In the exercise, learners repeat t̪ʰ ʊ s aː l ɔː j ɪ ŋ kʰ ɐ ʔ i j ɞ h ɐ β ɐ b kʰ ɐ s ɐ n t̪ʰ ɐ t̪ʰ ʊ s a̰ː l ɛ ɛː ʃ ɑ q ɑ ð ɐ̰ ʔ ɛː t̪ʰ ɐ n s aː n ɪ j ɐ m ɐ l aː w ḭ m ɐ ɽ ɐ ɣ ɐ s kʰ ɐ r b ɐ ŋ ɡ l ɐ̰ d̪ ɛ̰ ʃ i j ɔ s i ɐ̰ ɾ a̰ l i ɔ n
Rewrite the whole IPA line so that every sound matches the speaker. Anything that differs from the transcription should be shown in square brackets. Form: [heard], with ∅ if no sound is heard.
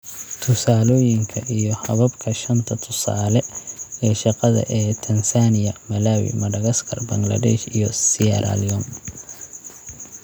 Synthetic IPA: t̪ʰ ʊ s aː l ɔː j ɪ ŋ kʰ ɐ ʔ i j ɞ h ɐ β ɐ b kʰ ɐ [ʃ] ɐ n t̪ʰ ɐ t̪ʰ ʊ s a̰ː l ɛ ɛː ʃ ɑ q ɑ ð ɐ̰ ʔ ɛː t̪ʰ ɐ n s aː n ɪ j ɐ m ɐ l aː w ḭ m ɐ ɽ ɐ ɣ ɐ s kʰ ɐ r b ɐ ŋ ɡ l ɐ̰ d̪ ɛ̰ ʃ i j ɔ s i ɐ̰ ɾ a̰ l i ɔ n

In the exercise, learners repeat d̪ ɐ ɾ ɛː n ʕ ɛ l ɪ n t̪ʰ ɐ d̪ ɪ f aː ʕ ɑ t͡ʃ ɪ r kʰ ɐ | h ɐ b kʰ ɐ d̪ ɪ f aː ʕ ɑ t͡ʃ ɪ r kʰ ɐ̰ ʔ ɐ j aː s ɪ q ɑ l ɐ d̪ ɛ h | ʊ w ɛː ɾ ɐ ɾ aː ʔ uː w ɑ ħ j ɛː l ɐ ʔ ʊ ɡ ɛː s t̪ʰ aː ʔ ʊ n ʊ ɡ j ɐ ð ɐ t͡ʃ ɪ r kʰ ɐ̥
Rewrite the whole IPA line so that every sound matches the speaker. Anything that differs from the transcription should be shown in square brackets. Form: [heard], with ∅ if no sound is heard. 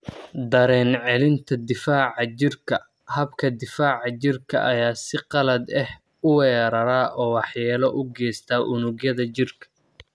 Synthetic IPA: d̪ ɐ ɾ ɛː n ʕ ɛ l ɪ n t̪ʰ ɐ d̪ ɪ f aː ʕ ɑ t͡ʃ ɪ r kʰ ɐ | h ɐ b kʰ ɐ d̪ ɪ f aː ʕ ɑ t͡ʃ ɪ r kʰ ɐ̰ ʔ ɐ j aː s ɪ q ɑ l ɐ d̪ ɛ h | ʊ w ɛː ɾ ɐ ɾ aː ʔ [ɔː] w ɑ ħ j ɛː l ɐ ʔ ʊ ɡ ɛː s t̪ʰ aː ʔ ʊ n ʊ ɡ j ɐ ð ɐ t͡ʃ ɪ r kʰ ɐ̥

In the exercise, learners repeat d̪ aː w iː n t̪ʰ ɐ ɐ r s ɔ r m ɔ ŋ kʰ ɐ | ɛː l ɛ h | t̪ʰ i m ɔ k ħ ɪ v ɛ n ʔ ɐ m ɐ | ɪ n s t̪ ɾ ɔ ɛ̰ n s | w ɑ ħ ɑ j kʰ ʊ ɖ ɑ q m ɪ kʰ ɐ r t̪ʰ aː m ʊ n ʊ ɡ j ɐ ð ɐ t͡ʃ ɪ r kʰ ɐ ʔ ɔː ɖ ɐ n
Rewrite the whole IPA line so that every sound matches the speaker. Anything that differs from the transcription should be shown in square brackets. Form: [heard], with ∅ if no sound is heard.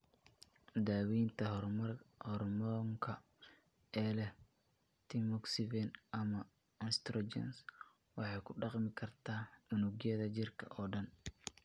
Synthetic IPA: d̪ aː w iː n t̪ʰ ɐ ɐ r [h] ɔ r m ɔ ŋ kʰ ɐ | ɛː l ɛ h | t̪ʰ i m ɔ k [s] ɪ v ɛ n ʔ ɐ m ɐ | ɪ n s t̪ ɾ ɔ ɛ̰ n s | w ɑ ħ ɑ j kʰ ʊ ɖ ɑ q m ɪ kʰ ɐ r t̪ʰ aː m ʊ n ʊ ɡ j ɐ ð ɐ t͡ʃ ɪ r kʰ ɐ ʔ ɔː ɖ ɐ n

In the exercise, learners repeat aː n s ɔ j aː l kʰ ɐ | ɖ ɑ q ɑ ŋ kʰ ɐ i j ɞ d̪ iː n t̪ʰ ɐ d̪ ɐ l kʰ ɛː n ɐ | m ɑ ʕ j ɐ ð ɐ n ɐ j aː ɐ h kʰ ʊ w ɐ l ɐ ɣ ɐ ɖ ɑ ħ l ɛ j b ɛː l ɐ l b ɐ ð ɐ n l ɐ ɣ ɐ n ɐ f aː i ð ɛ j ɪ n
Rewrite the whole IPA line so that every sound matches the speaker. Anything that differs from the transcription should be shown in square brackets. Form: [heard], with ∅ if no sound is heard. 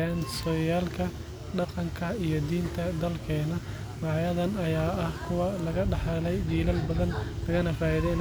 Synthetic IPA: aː n s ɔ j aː l kʰ ɐ | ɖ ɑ q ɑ ŋ kʰ ɐ i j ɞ d̪ iː n t̪ʰ ɐ d̪ ɐ l kʰ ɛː n ɐ | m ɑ ʕ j ɐ ð ɐ n ɐ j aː ɐ h kʰ ʊ w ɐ l ɐ ɣ ɐ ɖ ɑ ħ l ɛ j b [iː] l ɐ l b ɐ ð ɐ n l ɐ ɣ ɐ n ɐ f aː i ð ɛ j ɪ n

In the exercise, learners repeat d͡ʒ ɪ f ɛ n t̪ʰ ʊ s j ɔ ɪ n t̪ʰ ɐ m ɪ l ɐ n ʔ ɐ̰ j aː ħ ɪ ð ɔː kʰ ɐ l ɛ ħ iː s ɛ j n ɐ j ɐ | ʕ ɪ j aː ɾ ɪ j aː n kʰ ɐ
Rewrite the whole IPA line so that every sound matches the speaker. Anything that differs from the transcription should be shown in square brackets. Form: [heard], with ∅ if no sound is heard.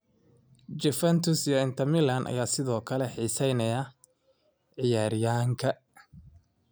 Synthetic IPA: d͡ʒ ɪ f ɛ n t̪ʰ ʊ s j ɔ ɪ n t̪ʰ ɐ m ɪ l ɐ n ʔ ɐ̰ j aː [s] ɪ ð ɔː kʰ ɐ l ɛ ħ iː s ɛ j n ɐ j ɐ | ʕ ɪ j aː ɾ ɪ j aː [ŋ] kʰ ɐ

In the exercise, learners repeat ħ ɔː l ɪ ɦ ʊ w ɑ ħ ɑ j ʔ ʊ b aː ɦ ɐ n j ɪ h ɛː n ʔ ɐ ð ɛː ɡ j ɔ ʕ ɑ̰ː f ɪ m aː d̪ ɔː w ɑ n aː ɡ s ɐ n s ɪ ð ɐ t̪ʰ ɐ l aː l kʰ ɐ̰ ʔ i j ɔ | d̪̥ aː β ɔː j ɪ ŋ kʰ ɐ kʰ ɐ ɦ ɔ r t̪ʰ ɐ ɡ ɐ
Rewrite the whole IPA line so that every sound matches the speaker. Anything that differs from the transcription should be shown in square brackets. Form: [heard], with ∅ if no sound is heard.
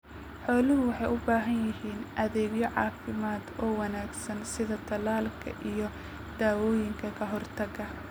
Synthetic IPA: ħ ɔː l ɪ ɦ ʊ w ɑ ħ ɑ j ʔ ʊ b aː ɦ ɐ n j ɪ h [iː] n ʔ ɐ ð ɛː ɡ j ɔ ʕ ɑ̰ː f ɪ m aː d̪ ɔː w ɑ n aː ɡ s ɐ n s ɪ ð ɐ t̪ʰ ɐ l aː l kʰ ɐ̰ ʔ i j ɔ | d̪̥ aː [w] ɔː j ɪ ŋ kʰ ɐ kʰ ɐ ɦ ɔ r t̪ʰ ɐ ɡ ɐ

